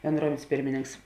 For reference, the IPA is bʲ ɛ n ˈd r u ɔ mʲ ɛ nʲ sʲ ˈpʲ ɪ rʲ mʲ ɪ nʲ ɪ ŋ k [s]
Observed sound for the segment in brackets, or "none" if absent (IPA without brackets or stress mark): s